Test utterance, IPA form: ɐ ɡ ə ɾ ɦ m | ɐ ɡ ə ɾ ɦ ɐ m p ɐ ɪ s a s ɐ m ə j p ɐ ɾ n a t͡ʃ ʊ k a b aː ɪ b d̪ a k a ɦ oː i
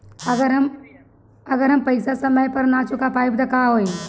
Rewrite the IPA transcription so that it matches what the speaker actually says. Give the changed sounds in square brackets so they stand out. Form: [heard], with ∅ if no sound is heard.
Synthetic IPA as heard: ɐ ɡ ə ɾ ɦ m | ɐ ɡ ə ɾ ɦ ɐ m p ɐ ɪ s a s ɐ m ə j p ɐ ɾ n a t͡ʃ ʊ k a [p] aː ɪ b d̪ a k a ɦ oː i